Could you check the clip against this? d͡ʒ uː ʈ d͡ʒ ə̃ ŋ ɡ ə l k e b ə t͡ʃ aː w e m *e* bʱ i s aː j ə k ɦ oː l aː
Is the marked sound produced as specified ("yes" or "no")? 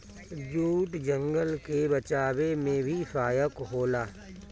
no